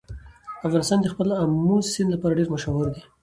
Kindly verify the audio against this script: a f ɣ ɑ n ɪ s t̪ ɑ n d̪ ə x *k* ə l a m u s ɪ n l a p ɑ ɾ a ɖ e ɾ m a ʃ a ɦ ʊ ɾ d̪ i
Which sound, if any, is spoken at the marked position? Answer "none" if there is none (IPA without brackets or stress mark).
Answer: p